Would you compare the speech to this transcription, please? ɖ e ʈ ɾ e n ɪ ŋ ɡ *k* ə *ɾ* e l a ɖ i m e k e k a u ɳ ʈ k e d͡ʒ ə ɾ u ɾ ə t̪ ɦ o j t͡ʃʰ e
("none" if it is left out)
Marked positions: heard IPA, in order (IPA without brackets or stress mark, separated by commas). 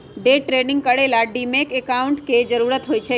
k, ɽ